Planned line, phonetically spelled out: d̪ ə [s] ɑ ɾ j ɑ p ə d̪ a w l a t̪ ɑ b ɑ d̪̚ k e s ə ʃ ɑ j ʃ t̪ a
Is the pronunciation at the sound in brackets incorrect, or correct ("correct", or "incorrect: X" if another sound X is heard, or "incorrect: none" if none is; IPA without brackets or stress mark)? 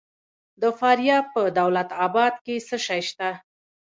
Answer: incorrect: f